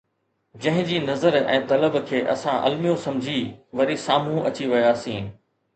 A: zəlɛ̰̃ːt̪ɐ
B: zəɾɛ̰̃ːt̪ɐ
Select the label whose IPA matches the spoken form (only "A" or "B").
B